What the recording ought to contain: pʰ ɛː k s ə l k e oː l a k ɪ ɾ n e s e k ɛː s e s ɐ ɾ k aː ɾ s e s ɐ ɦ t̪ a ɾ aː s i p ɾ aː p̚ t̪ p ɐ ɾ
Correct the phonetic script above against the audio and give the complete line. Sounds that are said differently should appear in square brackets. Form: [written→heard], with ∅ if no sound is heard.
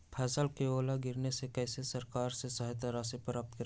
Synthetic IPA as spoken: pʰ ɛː [k→∅] s ə l k e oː l a [k→ɡ] ɪ ɾ n e s e k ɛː s e s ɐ ɾ k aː ɾ s e s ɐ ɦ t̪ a ɾ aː s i p ɾ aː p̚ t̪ [p→k] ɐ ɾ